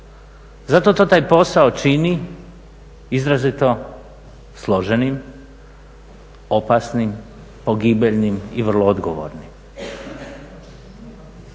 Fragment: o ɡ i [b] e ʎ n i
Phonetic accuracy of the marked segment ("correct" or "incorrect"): correct